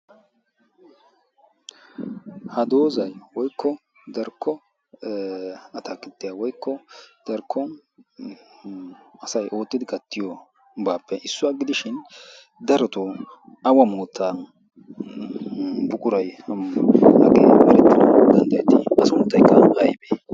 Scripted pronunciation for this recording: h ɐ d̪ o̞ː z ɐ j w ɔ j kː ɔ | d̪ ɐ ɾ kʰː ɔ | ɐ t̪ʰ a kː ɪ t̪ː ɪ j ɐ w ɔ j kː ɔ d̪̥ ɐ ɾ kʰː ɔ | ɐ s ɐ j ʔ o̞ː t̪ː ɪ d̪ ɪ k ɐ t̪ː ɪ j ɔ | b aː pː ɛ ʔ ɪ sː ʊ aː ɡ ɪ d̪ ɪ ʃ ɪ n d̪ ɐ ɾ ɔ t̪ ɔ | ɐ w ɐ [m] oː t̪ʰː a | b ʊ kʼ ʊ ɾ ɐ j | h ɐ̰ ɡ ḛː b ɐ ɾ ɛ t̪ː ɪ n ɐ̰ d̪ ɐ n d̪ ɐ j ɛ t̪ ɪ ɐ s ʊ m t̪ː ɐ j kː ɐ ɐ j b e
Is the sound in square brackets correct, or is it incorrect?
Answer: correct